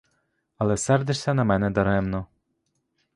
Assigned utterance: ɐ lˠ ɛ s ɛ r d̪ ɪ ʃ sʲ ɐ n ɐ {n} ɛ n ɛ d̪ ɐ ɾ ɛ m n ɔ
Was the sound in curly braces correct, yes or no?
no